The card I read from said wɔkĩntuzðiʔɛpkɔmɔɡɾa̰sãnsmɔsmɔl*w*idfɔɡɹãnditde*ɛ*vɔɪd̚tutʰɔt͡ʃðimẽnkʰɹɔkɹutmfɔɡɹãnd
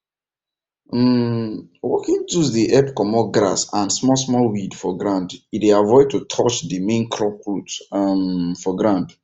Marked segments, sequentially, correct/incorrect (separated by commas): correct, incorrect